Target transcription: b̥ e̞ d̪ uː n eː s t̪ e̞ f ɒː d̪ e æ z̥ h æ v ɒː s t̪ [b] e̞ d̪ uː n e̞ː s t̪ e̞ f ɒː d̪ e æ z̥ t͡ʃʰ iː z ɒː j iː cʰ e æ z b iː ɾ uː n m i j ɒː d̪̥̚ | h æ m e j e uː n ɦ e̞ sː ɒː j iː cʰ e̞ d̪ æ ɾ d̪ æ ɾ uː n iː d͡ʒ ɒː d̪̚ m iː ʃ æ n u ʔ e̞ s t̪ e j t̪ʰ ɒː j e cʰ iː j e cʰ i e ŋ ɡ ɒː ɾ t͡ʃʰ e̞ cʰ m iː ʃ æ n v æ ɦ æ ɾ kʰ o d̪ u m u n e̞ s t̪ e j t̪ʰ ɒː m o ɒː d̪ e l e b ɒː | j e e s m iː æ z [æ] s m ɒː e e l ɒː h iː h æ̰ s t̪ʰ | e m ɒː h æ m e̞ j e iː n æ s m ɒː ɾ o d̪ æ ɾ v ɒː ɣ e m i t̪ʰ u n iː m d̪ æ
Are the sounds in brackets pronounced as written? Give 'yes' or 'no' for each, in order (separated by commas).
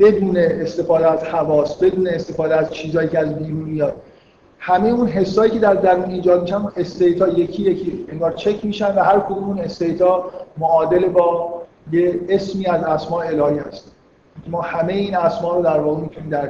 yes, yes